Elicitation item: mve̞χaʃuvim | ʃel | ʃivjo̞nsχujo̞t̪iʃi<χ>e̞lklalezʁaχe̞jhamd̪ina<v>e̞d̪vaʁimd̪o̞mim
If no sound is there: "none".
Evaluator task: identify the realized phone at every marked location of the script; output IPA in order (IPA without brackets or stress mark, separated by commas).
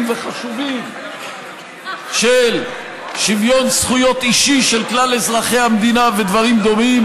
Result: ʃ, v